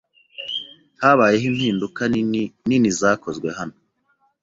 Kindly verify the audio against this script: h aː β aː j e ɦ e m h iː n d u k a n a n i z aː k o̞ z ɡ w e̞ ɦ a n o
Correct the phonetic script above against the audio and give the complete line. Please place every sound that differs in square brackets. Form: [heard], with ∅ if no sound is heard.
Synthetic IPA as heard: h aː β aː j e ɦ [i] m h iː n d u k a n [i] n i z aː k o̞ z ɡ w e̞ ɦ a n o